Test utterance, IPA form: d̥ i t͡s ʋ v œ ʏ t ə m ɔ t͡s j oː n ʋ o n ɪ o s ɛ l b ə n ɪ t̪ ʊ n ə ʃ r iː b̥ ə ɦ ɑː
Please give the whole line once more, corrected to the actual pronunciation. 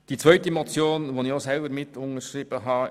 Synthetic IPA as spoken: d̥ i t͡s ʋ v œ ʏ t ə m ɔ t͡s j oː n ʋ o n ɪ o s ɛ l b ə m ɪ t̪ ʊ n ə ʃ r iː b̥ ə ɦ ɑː